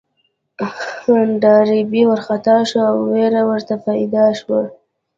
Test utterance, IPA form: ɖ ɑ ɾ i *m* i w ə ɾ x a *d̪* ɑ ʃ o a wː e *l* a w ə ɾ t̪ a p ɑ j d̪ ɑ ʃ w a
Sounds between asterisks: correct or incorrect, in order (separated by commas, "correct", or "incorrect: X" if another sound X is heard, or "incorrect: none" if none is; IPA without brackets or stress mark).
incorrect: b, incorrect: t̪, incorrect: ɾ